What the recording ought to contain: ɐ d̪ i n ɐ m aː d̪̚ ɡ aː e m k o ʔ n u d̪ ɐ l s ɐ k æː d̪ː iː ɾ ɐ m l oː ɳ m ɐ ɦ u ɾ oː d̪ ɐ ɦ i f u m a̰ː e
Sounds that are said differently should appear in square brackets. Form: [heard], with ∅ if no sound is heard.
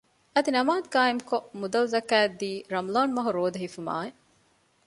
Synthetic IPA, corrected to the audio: ɐ d̪ i n ɐ m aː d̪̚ ɡ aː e m k o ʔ [m] u d̪ ɐ l [z] ɐ k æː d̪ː iː ɾ ɐ m l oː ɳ m ɐ ɦ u ɾ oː d̪ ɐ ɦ i f u m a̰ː e